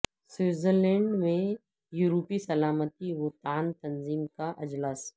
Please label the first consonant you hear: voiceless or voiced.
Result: voiceless